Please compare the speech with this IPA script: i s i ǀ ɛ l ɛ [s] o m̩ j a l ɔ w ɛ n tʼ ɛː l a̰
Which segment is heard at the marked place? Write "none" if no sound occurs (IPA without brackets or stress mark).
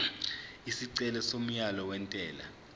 s